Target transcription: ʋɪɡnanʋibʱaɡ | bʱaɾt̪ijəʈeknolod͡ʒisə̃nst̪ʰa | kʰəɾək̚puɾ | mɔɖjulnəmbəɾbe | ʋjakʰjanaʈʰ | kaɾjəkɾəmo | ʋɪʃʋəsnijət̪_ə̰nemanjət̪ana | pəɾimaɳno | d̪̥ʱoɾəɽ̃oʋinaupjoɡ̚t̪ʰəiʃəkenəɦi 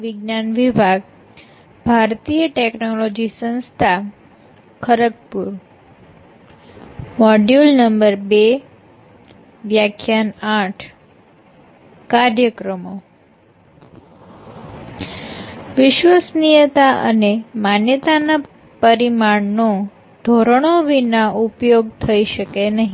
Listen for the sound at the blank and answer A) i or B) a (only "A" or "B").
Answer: B